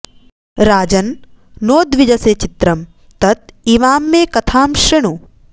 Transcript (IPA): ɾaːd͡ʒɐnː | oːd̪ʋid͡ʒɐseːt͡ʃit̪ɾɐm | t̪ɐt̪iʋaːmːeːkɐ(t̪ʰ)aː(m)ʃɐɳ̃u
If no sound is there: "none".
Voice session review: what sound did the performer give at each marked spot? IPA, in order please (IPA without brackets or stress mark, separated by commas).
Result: t̪ʰ, m